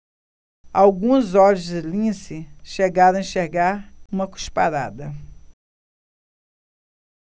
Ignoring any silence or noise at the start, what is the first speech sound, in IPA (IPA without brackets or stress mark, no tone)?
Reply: a